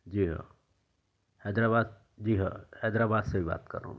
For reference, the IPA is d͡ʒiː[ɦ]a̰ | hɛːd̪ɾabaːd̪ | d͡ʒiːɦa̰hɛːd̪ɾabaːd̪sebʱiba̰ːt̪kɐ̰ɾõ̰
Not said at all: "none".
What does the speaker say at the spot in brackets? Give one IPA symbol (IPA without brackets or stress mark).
ɦ